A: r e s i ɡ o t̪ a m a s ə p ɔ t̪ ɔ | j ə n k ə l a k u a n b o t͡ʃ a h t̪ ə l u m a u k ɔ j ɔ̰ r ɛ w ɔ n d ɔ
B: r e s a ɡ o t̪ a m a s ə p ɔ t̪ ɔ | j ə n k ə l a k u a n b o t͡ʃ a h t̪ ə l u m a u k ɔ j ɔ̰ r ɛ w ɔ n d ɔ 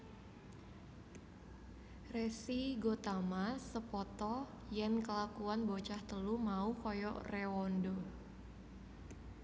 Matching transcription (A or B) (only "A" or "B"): A